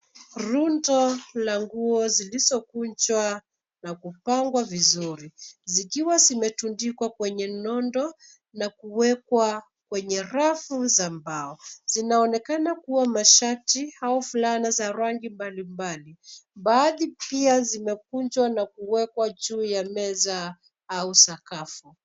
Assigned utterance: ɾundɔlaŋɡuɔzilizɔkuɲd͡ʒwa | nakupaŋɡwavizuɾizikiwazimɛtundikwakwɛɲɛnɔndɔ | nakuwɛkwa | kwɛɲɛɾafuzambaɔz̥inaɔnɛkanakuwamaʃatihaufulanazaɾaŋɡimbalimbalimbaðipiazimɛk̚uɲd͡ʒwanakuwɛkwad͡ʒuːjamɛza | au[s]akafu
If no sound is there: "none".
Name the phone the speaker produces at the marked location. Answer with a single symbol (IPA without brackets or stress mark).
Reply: s